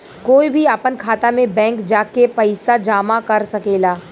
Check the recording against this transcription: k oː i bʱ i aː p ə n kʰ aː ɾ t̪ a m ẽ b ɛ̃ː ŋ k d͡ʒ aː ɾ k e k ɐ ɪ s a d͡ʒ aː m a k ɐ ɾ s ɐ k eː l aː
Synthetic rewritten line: k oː i bʱ i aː p ə n kʰ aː t̪ a m ẽ b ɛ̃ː ŋ k d͡ʒ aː k e p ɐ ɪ s a d͡ʒ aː m a k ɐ ɾ s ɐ k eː l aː

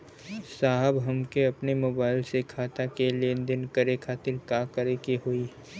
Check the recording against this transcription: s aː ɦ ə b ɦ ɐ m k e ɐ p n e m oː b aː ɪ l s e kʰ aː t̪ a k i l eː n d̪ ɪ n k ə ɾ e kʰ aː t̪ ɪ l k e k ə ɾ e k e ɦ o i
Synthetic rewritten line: s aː ɦ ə b ɦ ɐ m k e ɐ p n e m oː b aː ɪ l s e kʰ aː t̪ a k e l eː n d̪ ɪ n k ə ɾ e kʰ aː t̪ ɪ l k a k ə ɾ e k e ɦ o i

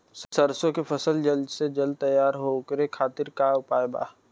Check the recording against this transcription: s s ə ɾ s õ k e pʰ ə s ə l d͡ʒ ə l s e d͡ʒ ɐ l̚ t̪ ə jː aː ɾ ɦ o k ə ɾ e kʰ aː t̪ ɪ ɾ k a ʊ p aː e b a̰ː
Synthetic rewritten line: s s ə ɾ s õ k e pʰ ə s ə l d͡ʒ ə l s e d͡ʒ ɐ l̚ t̪ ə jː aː ɾ ɦ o k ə ɾ e kʰ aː t̪ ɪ ɾ k a ʊ p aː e b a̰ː

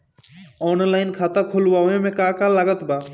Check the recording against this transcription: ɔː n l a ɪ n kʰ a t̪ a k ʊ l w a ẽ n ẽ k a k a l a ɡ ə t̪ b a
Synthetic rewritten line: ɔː n l a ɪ n kʰ a t̪ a kʰ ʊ l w a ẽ m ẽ k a k a l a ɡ ə t̪ b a

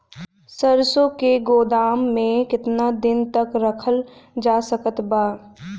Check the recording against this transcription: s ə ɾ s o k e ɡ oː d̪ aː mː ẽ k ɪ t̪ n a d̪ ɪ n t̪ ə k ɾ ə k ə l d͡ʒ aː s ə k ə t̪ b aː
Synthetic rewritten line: s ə ɾ s o k e ɡ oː d̪ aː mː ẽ k ɪ t̪ n a d̪ ɪ n t̪ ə k ɾ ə kʰ ə l d͡ʒ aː s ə k ə t̪ b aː

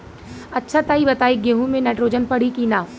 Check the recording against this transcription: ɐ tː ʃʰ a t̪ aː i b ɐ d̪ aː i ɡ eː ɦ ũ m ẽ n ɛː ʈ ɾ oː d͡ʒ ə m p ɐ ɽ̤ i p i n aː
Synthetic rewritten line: ɐ tː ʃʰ a t̪ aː i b ɐ t̪ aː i ɡ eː ɦ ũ m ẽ n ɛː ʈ ɾ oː d͡ʒ ə n p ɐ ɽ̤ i k i n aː

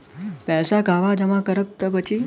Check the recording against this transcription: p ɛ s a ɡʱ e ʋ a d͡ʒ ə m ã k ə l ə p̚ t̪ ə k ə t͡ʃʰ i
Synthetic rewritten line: p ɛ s a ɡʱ a ʋ a d͡ʒ ə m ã k ə ɾ ə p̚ t̪ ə p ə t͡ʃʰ i

